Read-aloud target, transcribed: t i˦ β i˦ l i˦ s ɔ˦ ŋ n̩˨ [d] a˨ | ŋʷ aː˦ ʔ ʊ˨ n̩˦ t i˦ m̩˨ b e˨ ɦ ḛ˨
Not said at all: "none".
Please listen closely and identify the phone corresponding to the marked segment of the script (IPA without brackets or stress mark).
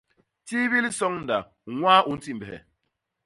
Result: d